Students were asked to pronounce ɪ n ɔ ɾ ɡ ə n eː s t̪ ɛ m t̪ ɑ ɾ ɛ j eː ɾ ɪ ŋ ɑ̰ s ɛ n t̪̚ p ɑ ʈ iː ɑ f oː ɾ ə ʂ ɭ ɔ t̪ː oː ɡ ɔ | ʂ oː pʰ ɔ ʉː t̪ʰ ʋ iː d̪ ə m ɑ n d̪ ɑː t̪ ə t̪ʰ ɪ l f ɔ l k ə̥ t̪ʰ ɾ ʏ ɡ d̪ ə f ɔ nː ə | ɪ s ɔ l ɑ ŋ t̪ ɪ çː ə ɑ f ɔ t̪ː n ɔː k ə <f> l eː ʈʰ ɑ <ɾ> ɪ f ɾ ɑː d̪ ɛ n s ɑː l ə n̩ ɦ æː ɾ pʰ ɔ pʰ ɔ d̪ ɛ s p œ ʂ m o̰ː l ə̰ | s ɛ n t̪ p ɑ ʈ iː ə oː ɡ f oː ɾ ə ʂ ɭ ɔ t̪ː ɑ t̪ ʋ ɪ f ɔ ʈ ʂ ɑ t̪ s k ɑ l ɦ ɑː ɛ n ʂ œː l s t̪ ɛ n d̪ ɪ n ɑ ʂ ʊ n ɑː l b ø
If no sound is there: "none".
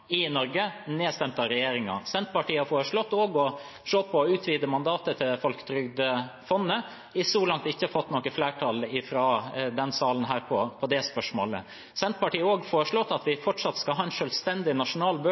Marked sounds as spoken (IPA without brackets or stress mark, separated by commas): f, l